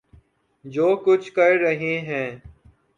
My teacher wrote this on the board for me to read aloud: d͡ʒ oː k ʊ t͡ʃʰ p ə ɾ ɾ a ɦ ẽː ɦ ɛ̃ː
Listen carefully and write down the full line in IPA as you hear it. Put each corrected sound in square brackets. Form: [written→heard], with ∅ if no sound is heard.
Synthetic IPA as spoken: d͡ʒ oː k ʊ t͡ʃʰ [p→k] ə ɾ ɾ [a→ə] ɦ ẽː ɦ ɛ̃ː